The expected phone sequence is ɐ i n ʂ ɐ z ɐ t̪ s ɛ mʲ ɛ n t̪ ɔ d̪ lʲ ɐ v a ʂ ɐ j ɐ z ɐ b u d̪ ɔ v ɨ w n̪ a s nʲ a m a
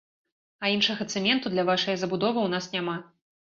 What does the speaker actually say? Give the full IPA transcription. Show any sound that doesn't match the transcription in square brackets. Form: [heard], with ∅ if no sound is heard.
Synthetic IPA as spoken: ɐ i n ʂ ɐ [ɣ] ɐ t̪ s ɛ mʲ ɛ n t̪ [u] d̪ lʲ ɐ v a ʂ ɐ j ɐ z ɐ b u d̪ ɔ v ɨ w n̪ a s nʲ a m a